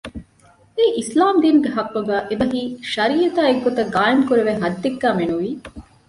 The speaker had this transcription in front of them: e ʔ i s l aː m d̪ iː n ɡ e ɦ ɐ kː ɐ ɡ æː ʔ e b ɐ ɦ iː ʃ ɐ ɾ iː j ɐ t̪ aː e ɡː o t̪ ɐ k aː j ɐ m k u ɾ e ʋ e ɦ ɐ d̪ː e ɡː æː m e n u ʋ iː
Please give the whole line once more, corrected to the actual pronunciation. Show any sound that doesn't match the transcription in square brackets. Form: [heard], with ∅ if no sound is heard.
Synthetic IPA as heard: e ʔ i s l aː m d̪ iː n ɡ e ɦ ɐ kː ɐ ɡ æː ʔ e b ɐ ɦ iː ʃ ɐ ɾ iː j ɐ t̪ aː e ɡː o t̪ ɐ [ɡ] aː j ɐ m k u ɾ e ʋ e ɦ ɐ d̪ː e ɡː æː m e n u ʋ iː